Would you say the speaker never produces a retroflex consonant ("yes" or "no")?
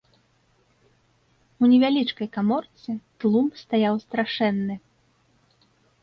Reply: no